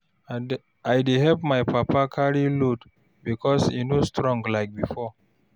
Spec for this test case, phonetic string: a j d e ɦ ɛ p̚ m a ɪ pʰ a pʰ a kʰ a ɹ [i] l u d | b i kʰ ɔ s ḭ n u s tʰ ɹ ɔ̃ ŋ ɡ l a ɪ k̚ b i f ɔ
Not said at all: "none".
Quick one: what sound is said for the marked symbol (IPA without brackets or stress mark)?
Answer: i